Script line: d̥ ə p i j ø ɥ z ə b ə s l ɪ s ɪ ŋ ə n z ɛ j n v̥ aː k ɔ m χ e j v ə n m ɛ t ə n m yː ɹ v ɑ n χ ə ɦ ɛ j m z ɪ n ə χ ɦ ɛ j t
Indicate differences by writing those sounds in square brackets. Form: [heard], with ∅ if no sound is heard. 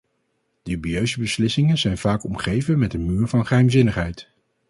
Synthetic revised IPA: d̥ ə [b] i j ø ɥ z ə b ə s l ɪ s ɪ ŋ ə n z ɛ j n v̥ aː k ɔ m χ e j v ə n m ɛ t ə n m yː ɹ v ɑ n χ ə ɦ ɛ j m z ɪ n ə χ ɦ ɛ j t

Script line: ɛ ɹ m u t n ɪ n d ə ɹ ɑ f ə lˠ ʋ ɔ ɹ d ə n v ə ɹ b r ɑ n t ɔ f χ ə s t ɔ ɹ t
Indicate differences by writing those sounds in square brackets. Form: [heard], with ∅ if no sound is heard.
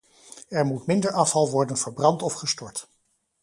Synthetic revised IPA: ɛ ɹ m u t [m] ɪ n d ə ɹ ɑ f [ɑ] lˠ ʋ ɔ ɹ d ə n v ə ɹ b r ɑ n t ɔ f χ ə s t ɔ ɹ t

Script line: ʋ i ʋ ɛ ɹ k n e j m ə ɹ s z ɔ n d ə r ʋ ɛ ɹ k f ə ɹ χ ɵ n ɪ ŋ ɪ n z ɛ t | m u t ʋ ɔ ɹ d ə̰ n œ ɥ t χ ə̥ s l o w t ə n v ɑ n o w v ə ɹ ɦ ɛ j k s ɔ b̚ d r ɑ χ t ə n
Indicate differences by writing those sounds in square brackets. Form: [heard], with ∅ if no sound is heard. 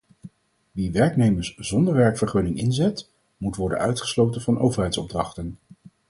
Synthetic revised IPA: ʋ i ʋ ɛ ɹ k n e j m ə ɹ s z ɔ n d ə [ɹ] ʋ ɛ ɹ k f ə ɹ χ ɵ n ɪ ŋ ɪ n z ɛ t | m u t ʋ ɔ ɹ d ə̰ n œ ɥ t χ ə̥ s l o w t ə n v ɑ n o w v ə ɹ ɦ ɛ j [t] s ɔ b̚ d r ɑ χ t ə n

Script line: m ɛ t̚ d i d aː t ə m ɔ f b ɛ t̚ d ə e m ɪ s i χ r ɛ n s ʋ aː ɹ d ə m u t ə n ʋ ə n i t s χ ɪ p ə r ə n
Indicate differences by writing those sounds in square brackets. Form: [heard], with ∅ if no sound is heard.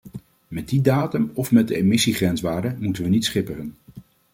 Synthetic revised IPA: m ɛ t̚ d i d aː t ə m ɔ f [m] ɛ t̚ d ə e m ɪ s i χ r ɛ n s ʋ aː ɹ d ə m u t ə n ʋ ə n i t s χ ɪ p ə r ə n

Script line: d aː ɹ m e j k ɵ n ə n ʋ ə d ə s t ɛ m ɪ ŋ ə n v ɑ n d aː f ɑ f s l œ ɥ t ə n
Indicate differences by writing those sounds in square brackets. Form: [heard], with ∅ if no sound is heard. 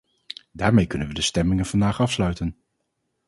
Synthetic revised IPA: d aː ɹ m e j k ɵ n ə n ʋ ə d ə s t ɛ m ɪ ŋ ə n v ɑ n d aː [χ] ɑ f s l œ ɥ t ə n

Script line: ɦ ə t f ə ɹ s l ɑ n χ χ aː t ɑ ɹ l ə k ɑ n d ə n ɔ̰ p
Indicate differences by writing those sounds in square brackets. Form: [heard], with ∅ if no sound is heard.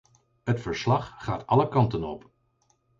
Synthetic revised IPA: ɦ ə t f ə ɹ s l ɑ [∅] χ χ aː t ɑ [∅] l ə k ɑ n [t] ə n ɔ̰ p

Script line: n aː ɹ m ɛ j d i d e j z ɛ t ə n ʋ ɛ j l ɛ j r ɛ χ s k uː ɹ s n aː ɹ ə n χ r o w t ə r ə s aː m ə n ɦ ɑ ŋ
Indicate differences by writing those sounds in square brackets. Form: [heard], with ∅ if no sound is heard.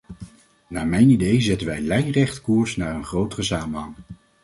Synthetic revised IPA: n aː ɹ m ɛ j [n] i d e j z ɛ t ə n ʋ ɛ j l ɛ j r ɛ χ [t] k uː ɹ s n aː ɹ ə n χ r o w t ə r ə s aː m ə n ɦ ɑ ŋ

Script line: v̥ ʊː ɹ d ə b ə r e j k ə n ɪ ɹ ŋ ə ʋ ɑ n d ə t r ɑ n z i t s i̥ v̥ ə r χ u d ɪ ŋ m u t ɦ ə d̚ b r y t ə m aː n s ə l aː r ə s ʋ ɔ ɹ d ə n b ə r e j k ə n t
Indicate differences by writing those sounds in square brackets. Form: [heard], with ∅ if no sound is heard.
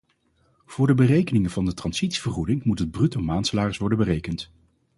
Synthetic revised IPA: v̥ ʊː ɹ d ə b ə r e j k ə n ɪ [∅] ŋ ə [v] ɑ n d ə t r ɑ n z i t s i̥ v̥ ə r χ u d ɪ ŋ m u t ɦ ə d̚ b r y t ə m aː n s ə l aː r ə s ʋ ɔ ɹ d ə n b ə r e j k ə n t

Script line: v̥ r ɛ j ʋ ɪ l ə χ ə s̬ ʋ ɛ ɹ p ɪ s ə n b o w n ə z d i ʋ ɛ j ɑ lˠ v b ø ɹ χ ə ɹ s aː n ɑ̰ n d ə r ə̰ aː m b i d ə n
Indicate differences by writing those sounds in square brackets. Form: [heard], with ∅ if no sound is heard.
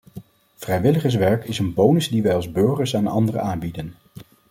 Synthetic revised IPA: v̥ r ɛ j ʋ ɪ l ə χ ə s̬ ʋ ɛ ɹ [k] ɪ s ə n b o w n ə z d i ʋ ɛ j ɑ lˠ [z] b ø ɹ χ ə ɹ s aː n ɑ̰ n d ə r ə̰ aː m b i d ə n

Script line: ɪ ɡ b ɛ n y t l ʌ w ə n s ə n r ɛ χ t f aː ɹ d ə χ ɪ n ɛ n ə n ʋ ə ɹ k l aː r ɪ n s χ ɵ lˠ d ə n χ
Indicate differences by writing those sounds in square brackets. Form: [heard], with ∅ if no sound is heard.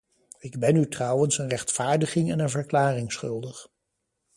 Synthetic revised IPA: ɪ ɡ b ɛ n y t [r] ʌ w ə n s ə n r ɛ χ t f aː ɹ d ə χ ɪ [ŋ] ɛ n ə n [v] ə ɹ k l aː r ɪ [ŋ] s χ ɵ lˠ d ə [∅] χ

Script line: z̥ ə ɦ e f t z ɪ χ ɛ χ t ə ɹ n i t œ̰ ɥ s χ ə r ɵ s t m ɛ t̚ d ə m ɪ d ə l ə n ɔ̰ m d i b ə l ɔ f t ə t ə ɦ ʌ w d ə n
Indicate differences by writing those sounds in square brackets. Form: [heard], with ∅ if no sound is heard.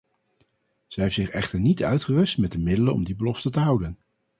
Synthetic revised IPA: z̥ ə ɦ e f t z ɪ χ ɛ χ t ə ɹ n i t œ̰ ɥ [t] χ ə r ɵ s t m ɛ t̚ d ə m ɪ d ə l ə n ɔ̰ m d i b ə l ɔ f t ə t ə ɦ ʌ w d ə n

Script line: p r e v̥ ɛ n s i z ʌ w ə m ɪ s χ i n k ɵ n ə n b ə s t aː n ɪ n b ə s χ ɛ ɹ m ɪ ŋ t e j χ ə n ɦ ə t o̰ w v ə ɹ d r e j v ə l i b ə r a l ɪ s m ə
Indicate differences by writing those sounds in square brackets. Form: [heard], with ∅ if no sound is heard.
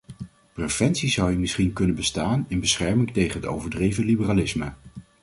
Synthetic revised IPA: p r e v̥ ɛ n s i z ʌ w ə m ɪ s χ i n k ɵ n ə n b ə s t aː n ɪ n b ə s χ ɛ ɹ m ɪ ŋ t e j χ ə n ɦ ə t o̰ w v ə ɹ d r e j v ə l i b ə r a l ɪ s m ə

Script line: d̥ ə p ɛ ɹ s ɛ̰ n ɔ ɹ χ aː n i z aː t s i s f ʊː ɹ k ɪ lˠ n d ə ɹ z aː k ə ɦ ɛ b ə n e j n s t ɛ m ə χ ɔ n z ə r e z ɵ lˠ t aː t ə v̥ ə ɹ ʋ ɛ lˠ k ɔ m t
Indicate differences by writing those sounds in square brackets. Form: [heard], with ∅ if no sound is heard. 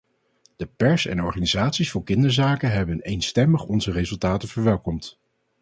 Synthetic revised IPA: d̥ ə p ɛ ɹ s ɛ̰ n ɔ ɹ χ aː n i z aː t s i s f ʊː ɹ k ɪ [∅] n d ə ɹ z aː k ə ɦ ɛ b ə n e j n s t ɛ m ə χ ɔ n z ə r e z ɵ lˠ t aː t ə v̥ ə ɹ ʋ ɛ lˠ k ɔ m t

